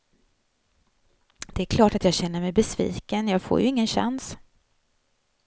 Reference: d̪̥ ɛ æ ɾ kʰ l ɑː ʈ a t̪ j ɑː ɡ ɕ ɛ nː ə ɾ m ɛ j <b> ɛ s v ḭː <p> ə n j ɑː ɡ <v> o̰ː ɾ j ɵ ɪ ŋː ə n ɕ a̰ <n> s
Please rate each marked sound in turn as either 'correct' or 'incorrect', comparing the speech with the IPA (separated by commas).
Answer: correct, incorrect, incorrect, correct